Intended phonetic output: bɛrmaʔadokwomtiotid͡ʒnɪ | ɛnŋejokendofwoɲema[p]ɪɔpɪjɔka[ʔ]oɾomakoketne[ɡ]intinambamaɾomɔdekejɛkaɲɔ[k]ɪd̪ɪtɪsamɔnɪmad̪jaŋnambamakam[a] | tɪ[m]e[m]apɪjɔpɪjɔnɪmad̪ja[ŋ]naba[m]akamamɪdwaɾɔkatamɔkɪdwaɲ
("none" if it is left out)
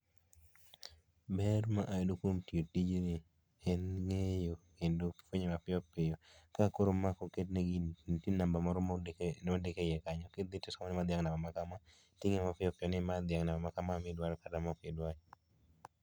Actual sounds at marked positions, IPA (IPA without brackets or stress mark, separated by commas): p, k, ɡ, k, a, ŋ, m, ŋ, m